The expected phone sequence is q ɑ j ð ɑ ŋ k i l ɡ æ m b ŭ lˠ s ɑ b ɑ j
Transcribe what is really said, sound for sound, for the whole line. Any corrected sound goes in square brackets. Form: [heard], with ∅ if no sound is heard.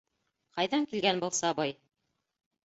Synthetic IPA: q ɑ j ð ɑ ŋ k i l ɡ æ [n] b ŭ lˠ s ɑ b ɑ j